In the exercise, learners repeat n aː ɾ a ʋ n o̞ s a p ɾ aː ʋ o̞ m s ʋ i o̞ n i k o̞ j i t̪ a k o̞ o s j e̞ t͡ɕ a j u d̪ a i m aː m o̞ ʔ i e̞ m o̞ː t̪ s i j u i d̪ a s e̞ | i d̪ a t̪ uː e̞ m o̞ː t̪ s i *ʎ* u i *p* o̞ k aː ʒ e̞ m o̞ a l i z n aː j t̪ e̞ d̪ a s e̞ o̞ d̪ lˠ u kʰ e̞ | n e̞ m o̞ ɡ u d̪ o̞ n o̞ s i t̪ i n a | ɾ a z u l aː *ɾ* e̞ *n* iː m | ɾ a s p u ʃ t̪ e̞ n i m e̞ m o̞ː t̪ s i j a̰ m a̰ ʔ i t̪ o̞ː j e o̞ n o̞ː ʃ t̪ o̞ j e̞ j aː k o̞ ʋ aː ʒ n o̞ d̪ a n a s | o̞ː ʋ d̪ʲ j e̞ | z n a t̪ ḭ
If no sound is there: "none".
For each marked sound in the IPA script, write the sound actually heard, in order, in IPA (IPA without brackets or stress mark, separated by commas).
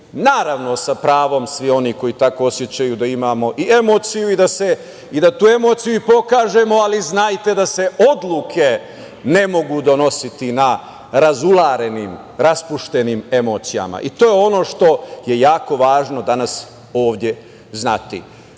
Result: j, p, ɾ, n